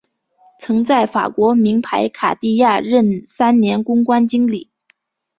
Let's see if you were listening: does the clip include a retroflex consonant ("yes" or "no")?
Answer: yes